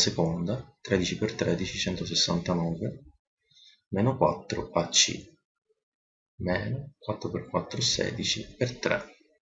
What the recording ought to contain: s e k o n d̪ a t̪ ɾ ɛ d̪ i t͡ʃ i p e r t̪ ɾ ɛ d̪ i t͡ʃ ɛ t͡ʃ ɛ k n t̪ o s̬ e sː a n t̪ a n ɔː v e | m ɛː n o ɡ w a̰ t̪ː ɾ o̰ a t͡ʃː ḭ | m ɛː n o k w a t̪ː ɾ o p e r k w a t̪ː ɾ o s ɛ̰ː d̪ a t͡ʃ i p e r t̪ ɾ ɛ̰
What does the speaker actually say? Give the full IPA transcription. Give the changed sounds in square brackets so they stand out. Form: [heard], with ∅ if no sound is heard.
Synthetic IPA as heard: s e k o n d̪ a t̪ ɾ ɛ d̪ i t͡ʃ i p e r t̪ ɾ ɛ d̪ i t͡ʃ [i] t͡ʃ ɛ [∅] n t̪ o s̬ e sː a n t̪ a n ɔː v e | m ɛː n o [k] w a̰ t̪ː ɾ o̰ a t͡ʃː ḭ | m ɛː n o k w a t̪ː ɾ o p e r k w a t̪ː ɾ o s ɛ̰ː d̪ [i] t͡ʃ i p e r t̪ ɾ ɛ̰